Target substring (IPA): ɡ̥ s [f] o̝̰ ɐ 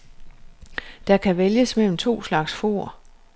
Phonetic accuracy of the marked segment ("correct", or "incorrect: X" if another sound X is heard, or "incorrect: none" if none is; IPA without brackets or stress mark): correct